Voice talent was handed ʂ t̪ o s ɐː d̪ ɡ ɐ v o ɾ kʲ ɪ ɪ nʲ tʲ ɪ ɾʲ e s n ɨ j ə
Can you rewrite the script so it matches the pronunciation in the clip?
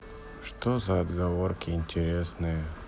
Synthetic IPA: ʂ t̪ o z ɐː d̪ ɡ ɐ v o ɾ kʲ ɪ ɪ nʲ tʲ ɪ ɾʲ e s n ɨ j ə